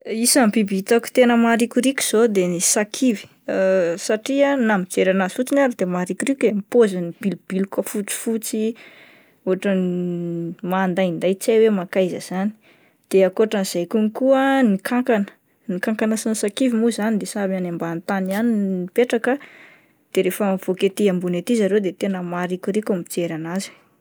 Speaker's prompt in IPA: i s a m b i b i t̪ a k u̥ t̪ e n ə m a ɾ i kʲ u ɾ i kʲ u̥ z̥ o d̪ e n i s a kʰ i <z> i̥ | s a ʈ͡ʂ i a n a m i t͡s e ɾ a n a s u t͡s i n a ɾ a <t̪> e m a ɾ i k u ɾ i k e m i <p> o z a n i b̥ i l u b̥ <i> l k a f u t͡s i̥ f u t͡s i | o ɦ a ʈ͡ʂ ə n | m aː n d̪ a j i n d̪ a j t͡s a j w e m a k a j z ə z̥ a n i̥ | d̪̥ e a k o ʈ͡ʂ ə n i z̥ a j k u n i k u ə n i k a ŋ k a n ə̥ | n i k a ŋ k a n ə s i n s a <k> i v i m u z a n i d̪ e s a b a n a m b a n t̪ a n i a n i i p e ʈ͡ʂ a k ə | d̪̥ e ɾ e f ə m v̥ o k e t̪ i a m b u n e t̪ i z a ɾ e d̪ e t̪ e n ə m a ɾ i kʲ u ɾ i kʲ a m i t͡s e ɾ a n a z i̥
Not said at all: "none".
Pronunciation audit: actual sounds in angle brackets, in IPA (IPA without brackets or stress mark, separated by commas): v, d̪, p, i, k